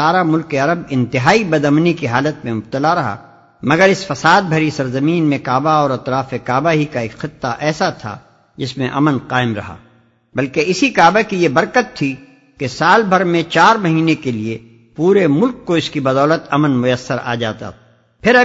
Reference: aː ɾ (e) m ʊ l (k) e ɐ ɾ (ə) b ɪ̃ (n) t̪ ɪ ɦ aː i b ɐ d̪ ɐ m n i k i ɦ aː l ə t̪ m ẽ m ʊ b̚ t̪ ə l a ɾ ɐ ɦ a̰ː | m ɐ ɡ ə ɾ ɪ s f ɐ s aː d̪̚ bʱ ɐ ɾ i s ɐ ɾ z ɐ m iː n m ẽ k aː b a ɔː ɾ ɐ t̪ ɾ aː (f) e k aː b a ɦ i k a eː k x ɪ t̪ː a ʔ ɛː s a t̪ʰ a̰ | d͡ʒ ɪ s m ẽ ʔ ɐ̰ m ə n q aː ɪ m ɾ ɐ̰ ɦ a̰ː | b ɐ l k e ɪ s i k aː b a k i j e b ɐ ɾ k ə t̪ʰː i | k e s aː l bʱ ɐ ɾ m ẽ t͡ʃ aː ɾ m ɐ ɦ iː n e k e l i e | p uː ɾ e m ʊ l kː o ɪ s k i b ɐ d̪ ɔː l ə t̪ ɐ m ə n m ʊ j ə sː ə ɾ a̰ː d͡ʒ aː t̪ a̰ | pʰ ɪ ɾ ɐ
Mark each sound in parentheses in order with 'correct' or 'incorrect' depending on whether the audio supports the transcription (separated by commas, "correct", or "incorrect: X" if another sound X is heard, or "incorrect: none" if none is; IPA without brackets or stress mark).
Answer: incorrect: a, correct, correct, correct, correct